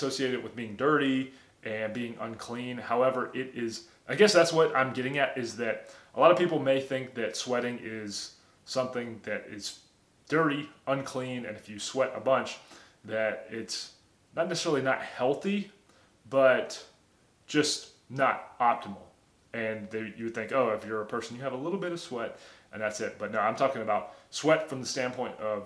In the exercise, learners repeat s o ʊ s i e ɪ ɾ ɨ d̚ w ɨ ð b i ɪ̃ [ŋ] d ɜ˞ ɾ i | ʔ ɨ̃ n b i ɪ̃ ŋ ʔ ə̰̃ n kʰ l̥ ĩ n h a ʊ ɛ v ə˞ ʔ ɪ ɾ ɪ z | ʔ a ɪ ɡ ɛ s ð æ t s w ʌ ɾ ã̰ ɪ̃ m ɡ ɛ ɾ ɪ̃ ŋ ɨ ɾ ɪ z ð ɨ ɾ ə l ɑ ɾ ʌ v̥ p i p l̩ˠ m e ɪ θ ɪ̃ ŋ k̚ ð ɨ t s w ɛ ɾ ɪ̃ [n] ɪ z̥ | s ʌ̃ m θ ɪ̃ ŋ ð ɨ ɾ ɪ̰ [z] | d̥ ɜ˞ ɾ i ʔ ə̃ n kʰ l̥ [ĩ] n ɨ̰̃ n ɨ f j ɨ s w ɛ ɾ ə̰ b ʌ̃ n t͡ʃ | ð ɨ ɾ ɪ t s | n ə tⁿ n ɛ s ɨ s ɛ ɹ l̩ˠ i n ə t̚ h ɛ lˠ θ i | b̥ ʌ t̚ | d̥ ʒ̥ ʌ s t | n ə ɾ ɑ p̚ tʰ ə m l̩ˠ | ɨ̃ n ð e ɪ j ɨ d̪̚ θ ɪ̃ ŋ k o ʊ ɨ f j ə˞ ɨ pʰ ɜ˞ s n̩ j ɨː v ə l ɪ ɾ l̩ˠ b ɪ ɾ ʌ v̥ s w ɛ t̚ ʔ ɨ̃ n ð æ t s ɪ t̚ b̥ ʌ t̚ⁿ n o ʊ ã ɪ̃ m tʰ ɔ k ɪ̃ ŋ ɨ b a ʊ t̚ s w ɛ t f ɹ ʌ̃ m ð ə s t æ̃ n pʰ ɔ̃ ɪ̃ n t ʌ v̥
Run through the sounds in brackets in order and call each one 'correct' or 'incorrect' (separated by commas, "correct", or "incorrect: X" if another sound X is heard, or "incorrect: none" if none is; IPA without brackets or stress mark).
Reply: correct, incorrect: ŋ, correct, correct